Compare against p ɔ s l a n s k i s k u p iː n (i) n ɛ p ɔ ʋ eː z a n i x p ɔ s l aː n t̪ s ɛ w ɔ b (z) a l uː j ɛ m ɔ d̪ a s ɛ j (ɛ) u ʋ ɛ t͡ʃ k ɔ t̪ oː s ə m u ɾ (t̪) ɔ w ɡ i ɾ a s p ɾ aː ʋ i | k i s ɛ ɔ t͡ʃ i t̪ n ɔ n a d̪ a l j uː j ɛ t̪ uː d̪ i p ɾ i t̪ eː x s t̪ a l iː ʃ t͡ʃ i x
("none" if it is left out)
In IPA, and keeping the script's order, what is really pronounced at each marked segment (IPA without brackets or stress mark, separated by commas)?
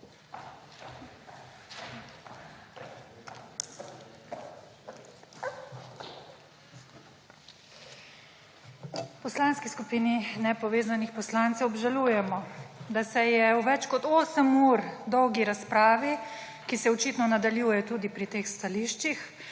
i, ʒ, ɛ, d̪